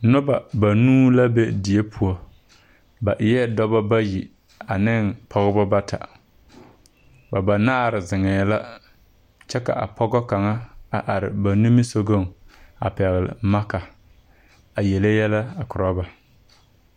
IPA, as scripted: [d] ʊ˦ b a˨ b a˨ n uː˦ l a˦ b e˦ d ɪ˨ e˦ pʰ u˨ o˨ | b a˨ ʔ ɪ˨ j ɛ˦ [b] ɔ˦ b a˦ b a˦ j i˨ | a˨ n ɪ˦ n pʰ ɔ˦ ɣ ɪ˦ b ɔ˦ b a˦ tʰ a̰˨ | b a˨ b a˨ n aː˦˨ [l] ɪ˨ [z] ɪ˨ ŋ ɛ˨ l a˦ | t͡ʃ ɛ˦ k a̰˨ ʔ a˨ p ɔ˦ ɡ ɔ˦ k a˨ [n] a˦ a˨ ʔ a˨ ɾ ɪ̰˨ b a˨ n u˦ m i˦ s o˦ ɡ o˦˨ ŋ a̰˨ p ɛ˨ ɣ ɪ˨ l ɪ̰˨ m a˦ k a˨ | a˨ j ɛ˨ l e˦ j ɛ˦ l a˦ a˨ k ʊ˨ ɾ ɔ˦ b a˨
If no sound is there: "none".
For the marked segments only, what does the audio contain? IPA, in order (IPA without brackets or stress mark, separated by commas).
n, d, ɾ, z, ŋ